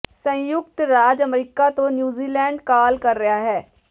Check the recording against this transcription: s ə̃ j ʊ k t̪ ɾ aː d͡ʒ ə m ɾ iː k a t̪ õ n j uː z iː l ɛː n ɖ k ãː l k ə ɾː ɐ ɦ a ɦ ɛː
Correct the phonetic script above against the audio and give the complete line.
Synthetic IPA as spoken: s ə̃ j ʊ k t̪ ɾ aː d͡ʒ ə m ɾ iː k a t̪ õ n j uː z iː l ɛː ɳ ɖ k aː l k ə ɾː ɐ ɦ a ɦ ɛː